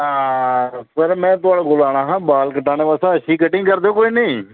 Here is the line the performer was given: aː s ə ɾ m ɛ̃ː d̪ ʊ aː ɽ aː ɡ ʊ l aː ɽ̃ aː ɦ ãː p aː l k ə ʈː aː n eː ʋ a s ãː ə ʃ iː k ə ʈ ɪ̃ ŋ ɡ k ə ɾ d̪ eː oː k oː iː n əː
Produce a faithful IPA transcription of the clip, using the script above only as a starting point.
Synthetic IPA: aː s ə ɾ m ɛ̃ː t̪ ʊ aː ɽ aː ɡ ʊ l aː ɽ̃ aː ɦ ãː b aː l k ə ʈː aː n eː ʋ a s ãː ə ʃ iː k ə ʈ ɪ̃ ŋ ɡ k ə ɾ d̪ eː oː k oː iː n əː